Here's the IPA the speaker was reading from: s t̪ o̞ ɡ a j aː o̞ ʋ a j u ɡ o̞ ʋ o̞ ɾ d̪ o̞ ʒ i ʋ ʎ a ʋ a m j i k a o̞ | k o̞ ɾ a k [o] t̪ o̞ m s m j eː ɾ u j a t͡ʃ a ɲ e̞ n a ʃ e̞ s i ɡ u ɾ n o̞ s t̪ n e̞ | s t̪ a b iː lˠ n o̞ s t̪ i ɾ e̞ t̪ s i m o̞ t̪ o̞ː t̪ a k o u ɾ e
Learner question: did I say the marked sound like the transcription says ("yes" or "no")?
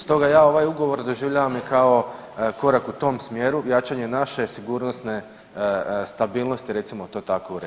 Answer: no